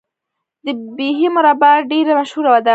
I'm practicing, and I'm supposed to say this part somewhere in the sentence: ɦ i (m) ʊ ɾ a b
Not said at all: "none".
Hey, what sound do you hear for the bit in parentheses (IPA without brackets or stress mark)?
m